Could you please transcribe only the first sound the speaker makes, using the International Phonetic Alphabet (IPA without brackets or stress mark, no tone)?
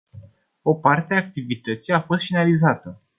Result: o̞